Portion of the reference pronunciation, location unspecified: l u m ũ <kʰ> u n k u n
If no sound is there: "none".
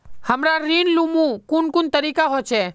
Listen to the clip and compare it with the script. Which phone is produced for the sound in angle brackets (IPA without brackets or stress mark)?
k